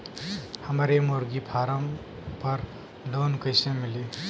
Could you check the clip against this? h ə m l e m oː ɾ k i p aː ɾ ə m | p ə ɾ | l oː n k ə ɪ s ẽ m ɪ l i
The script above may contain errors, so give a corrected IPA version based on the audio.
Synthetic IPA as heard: h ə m ɾ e m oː ɾ ɡ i pʰ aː ɾ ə m | p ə ɾ | l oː n k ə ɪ s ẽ m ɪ l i